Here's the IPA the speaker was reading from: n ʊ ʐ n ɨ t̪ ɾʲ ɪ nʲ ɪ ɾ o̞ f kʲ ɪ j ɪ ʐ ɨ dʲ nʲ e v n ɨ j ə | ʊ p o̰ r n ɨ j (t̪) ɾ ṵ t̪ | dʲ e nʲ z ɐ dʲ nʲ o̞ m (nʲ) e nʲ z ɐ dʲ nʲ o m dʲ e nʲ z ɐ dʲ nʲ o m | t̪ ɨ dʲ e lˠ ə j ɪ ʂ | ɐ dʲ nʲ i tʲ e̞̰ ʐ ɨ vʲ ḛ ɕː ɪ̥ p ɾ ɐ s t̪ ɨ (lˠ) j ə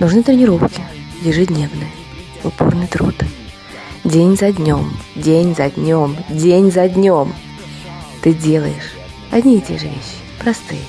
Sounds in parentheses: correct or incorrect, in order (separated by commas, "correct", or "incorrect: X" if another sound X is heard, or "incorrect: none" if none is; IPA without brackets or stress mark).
correct, incorrect: dʲ, incorrect: none